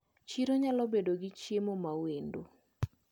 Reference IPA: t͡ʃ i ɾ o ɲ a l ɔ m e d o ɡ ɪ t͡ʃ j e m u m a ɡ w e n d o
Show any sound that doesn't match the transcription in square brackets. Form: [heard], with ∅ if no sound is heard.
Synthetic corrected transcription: t͡ʃ i ɾ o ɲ a l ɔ [b] e d o ɡ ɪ t͡ʃ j e m [o] m a [∅] w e n d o